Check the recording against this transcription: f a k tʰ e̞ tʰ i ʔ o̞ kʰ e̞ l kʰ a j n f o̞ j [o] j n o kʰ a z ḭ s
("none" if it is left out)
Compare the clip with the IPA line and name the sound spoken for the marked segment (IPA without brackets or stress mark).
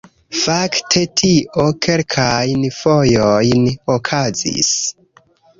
o